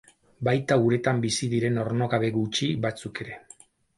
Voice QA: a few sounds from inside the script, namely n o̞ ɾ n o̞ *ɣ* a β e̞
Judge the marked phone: correct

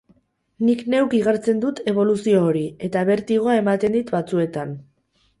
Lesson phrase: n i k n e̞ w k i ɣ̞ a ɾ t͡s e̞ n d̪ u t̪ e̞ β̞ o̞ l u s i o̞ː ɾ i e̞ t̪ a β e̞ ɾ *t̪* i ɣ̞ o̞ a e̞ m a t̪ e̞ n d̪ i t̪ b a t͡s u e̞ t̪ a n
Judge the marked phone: correct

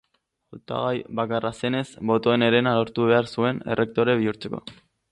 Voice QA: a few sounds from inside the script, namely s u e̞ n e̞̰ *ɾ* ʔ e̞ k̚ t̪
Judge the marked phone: incorrect: r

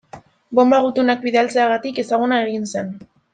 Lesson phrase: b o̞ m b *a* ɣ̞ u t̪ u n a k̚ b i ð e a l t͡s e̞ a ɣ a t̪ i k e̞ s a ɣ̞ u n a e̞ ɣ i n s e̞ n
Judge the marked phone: correct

